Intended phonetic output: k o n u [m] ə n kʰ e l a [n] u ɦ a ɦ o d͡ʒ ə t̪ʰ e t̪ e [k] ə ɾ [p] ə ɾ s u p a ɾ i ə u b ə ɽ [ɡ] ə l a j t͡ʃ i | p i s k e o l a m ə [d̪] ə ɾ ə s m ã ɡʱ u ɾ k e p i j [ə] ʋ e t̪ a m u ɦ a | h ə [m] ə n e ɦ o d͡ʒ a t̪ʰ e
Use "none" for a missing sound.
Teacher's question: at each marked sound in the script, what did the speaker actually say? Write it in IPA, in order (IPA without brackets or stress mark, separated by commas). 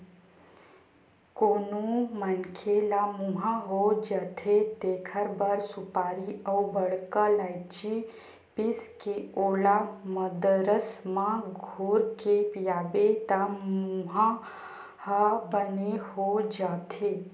m, m, kʰ, b, k, d̪, a, b